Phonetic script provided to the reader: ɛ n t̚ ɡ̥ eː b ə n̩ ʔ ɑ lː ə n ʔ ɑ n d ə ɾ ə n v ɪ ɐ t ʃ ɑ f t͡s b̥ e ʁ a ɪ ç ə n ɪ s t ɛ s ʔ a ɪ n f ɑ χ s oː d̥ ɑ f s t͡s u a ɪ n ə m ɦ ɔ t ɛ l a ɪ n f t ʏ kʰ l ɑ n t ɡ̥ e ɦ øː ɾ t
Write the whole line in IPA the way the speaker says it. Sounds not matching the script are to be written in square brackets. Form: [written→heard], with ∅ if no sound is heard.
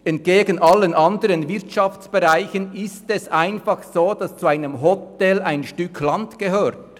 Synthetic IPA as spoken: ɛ n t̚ ɡ̥ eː [b→ɡ] ə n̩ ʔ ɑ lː ə n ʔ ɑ n d ə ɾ ə n v ɪ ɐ t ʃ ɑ f t͡s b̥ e ʁ a ɪ ç ə n ɪ s t ɛ s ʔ a ɪ n f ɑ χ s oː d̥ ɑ [f→∅] s t͡s u a ɪ n ə m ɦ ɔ t ɛ l a ɪ n [f→ʃ] t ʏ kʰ l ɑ n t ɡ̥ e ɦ øː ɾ t